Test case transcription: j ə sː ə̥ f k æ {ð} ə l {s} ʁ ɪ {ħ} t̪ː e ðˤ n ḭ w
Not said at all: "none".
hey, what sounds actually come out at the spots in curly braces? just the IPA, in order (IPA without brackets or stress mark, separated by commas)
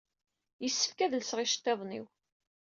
ð, s, ʃ